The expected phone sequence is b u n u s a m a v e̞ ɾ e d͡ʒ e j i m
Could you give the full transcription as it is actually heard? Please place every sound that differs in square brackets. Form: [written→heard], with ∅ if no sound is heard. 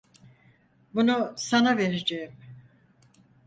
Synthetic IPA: b u n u s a [m→n] a v e̞ ɾ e d͡ʒ e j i m